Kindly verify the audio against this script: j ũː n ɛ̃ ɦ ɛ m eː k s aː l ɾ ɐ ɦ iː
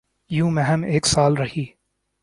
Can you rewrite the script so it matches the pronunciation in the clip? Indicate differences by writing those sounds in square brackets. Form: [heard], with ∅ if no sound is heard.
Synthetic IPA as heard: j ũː [m] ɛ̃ ɦ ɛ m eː k s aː l ɾ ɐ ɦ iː